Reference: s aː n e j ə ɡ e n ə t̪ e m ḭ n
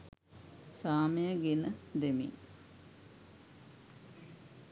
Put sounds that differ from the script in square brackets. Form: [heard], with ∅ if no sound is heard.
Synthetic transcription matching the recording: s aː [m] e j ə ɡ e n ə [d̪] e m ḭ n